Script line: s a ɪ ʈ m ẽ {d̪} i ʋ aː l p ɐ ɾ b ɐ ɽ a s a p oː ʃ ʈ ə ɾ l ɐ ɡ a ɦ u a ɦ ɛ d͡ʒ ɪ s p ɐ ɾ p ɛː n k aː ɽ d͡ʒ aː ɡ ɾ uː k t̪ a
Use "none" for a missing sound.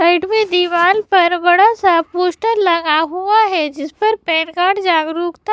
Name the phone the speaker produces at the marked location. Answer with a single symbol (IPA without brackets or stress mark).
d̪